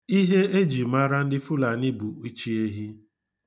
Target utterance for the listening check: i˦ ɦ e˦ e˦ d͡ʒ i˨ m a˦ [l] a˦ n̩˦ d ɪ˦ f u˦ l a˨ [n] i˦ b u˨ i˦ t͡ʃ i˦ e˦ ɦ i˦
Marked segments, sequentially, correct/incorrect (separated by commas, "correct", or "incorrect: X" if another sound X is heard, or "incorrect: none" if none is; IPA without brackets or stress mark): incorrect: ɾ, correct